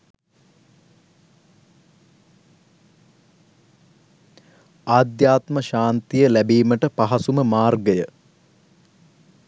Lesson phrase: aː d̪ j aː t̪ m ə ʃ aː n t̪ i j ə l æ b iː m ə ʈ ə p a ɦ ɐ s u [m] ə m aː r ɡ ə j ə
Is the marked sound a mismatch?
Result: no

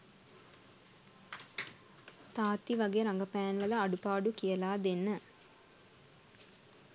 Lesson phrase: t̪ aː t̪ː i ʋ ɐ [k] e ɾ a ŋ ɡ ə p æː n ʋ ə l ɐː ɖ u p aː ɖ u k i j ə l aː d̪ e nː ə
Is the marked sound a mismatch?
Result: yes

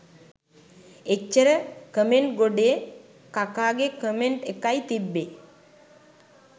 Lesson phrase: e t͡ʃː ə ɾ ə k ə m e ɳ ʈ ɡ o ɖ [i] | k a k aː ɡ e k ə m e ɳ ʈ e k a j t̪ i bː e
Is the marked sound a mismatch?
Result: yes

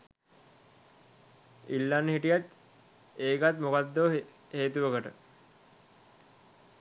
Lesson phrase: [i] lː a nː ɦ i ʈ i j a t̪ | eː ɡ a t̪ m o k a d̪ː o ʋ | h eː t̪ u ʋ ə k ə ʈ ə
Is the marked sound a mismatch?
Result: no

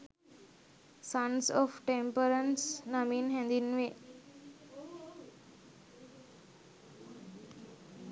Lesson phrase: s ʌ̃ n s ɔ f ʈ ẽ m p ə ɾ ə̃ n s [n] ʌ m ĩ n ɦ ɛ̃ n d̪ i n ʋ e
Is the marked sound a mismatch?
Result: no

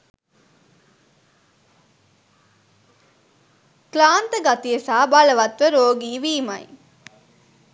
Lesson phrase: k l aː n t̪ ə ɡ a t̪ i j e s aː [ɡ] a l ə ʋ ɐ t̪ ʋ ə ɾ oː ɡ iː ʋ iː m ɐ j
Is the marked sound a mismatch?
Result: yes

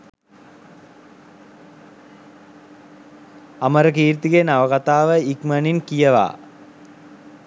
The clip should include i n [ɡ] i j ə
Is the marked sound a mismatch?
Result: yes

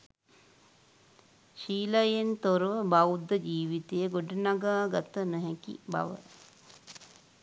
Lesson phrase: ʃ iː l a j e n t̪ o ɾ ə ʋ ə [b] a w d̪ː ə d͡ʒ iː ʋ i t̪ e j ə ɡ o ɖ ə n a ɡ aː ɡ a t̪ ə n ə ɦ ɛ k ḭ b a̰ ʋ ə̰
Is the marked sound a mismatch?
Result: no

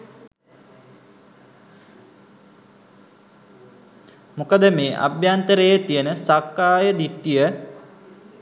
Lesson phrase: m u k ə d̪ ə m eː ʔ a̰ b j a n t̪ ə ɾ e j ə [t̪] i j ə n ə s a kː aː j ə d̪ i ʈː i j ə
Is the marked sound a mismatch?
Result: no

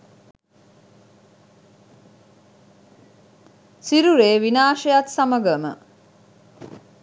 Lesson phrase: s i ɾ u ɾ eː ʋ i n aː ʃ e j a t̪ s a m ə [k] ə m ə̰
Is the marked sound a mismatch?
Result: yes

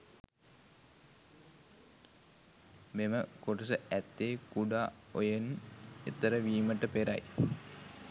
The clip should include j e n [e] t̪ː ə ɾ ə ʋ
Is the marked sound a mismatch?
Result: no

